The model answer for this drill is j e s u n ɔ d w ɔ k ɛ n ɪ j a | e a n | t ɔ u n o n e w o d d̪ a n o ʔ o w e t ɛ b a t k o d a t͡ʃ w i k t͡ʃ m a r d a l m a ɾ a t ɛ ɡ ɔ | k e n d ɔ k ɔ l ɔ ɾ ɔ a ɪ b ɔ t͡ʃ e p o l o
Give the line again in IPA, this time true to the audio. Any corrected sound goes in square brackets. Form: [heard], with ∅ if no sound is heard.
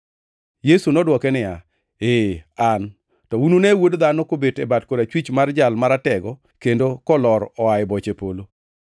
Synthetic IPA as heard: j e s u n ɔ d w ɔ k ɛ n ɪ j a | e a n | t ɔ u n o n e w o d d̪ a n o [k] o [b] e t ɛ b a t k o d a t͡ʃ w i [∅] t͡ʃ m a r [d͡ʒ] a l m a ɾ a t ɛ ɡ ɔ | k e n d [o] k ɔ l ɔ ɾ ɔ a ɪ b ɔ t͡ʃ e p o l o

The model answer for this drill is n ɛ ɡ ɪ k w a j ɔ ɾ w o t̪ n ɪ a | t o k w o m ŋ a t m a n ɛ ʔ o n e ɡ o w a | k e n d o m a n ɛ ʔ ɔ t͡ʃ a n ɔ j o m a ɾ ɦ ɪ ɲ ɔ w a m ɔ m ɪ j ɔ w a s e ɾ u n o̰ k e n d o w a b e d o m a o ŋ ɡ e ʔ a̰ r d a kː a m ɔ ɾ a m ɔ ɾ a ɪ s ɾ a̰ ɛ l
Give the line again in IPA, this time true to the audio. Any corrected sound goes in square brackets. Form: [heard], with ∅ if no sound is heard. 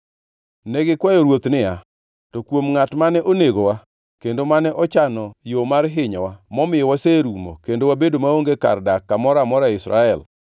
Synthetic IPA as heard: n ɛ ɡ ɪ k w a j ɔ ɾ w o t̪ n ɪ a | t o k w o m ŋ a t m a n ɛ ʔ o n e ɡ o w a | k e n d o m a n ɛ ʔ ɔ t͡ʃ a n ɔ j o m a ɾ ɦ ɪ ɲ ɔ w a m ɔ m ɪ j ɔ w a s e ɾ u [m] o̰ k e n d o w a b e d o m a o ŋ ɡ e [k] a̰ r d a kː a m ɔ ɾ a m ɔ ɾ a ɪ s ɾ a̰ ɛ l

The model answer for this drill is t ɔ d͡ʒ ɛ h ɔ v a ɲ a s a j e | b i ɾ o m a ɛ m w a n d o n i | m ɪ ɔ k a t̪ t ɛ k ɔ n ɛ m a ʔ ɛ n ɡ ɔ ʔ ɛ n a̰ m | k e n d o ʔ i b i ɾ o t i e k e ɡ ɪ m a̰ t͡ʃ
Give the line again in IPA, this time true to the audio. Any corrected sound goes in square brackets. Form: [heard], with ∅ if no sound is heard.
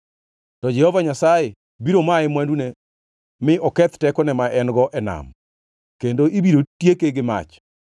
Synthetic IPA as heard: t ɔ d͡ʒ ɛ h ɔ v a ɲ a s a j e | b i ɾ o m a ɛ m w a n d [u] n [e] | m ɪ ɔ k [ɛ] t̪ t ɛ k ɔ n ɛ m a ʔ ɛ n ɡ ɔ ʔ ɛ n a̰ m | k e n d o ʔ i b i ɾ o t [j] e k e ɡ ɪ m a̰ t͡ʃ

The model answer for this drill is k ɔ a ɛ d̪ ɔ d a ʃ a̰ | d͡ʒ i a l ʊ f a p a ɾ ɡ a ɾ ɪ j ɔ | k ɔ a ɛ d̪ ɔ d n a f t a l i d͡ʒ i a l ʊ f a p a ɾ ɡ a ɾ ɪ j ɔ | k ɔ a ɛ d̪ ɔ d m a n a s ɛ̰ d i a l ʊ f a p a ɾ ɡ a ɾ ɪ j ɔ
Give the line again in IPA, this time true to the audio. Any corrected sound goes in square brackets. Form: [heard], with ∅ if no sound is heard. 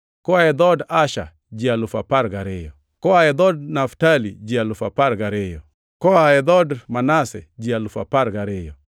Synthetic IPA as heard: k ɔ a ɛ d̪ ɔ d a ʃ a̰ | d͡ʒ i a l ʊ f a p a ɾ ɡ a ɾ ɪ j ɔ | k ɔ a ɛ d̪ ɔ d n a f t a l i d͡ʒ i a l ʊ f a p a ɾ ɡ a ɾ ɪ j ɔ | k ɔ a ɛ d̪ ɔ d m a n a s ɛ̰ [d͡ʒ] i a l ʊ f a p a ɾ ɡ a ɾ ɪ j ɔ

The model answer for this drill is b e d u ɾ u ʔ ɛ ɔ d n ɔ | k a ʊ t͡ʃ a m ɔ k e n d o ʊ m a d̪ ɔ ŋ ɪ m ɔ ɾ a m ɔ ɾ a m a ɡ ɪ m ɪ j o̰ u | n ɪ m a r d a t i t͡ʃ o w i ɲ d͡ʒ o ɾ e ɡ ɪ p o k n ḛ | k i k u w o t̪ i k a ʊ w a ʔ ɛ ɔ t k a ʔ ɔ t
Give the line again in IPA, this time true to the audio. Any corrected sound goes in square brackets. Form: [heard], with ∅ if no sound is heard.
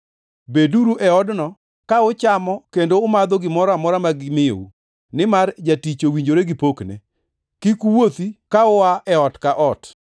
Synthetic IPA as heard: b e d u ɾ u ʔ ɛ ɔ d n ɔ | k a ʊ t͡ʃ a m ɔ k e n d o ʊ m a d̪ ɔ [ɡ] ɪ m ɔ ɾ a m ɔ ɾ a m a ɡ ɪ m ɪ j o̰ u | n ɪ m a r [d͡ʒ] a t i t͡ʃ o w i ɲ d͡ʒ o ɾ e ɡ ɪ p o k n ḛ | k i k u w o t̪ i k a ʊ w a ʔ ɛ ɔ t k a ʔ ɔ t

